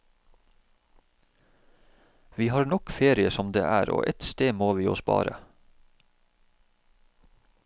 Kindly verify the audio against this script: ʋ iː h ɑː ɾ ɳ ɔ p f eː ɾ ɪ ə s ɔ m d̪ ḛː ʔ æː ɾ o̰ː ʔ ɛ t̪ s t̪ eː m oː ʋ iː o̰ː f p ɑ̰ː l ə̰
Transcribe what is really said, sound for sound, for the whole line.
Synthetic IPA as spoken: ʋ iː h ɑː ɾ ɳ ɔ k f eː ɾ ɪ ə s ɔ m d̪ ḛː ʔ æː ɾ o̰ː ʔ ɛ t̪ s t̪ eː m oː ʋ iː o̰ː s p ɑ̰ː ɾ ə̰

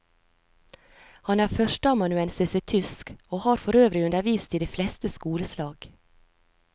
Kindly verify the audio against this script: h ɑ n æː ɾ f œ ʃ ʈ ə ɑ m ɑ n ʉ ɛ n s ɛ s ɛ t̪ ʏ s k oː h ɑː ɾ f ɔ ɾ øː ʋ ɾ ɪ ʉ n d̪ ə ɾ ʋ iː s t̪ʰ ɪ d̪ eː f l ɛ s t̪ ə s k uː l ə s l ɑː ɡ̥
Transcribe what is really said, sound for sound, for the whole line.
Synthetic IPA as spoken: h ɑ n æː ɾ f œ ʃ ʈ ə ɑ m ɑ n ʉ ɛ n s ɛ s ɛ t̪ʰ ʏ s k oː h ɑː ɾ f ɔ ɾ øː ʋ ɾ ɪ ʉ n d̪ ə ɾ ʋ iː s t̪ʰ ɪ d̪ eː f l ɛ s t̪ ə s k uː l ə s l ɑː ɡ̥

